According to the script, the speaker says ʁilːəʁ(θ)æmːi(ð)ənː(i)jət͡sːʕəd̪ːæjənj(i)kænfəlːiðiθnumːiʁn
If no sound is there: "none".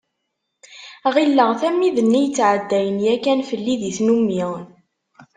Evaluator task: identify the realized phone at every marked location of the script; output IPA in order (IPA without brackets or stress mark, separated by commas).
θ, ð, i, æ